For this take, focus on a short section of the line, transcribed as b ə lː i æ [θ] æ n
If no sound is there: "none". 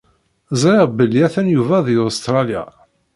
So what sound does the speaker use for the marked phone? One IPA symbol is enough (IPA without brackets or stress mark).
θ